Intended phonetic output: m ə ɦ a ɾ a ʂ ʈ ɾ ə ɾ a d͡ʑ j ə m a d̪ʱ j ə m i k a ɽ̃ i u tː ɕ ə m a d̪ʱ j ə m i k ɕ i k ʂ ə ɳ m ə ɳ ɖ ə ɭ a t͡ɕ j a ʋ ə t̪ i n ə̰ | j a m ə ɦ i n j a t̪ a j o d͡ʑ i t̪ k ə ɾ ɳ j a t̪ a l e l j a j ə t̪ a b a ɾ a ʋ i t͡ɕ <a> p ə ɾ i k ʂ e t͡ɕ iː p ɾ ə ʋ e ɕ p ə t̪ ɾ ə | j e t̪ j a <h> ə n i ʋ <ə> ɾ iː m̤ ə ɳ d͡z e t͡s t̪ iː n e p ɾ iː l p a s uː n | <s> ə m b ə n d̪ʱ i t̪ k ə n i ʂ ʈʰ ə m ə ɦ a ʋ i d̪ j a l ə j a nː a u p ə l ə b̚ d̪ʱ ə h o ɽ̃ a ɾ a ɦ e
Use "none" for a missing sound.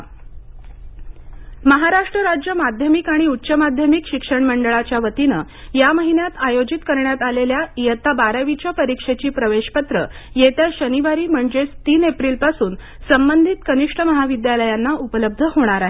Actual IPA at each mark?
a, ɕ, a, s

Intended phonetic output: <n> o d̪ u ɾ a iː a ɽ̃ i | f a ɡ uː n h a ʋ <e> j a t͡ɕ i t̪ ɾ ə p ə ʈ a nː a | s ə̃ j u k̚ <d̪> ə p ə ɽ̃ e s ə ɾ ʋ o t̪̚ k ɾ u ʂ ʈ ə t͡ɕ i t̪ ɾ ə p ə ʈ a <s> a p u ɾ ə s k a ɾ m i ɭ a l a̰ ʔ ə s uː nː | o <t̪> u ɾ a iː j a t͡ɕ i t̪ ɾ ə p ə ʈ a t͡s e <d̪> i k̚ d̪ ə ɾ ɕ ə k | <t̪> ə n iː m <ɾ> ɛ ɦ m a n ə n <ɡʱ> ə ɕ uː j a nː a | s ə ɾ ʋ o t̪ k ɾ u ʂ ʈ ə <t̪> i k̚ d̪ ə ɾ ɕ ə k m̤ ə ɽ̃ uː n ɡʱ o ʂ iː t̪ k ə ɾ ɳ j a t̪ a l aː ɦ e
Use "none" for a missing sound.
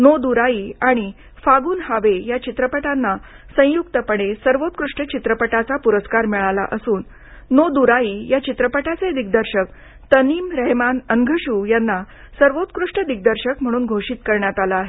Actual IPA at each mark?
n, e, t̪, t͡s, d̪, d̪, t̪, ɾ, ɡʱ, d̪

